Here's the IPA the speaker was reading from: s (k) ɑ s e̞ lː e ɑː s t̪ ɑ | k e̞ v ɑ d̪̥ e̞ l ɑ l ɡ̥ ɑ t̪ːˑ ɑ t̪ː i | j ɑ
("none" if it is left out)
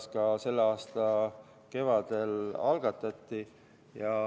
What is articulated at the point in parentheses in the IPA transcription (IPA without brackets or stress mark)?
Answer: k